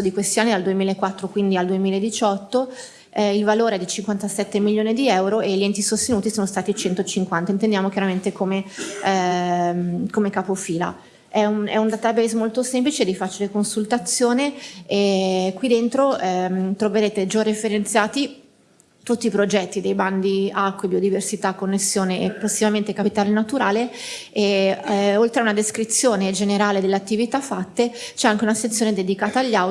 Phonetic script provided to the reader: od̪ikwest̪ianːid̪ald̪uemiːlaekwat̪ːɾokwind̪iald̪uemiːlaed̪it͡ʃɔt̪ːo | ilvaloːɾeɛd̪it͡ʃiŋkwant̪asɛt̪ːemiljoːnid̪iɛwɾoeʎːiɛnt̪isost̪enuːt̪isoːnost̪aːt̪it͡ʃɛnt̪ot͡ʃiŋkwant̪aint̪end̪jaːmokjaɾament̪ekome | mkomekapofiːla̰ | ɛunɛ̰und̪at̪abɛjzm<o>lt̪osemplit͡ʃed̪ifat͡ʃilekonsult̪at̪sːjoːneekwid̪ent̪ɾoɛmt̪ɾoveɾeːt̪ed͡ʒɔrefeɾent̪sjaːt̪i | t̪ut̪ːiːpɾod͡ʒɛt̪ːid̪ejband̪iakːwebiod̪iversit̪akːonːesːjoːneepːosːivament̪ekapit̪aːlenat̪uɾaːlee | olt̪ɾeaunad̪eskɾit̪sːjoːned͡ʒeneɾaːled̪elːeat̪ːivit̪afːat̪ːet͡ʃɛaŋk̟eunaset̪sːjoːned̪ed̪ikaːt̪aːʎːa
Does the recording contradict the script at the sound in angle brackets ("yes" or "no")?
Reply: no